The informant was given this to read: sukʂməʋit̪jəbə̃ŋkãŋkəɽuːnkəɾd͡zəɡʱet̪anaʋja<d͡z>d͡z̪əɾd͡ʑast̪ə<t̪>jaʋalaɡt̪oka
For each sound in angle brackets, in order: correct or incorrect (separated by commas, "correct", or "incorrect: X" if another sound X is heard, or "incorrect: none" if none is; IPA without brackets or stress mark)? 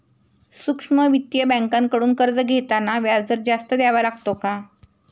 correct, incorrect: d̪